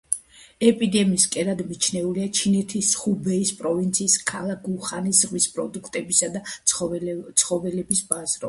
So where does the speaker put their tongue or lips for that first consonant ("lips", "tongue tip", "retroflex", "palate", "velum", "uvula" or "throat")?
lips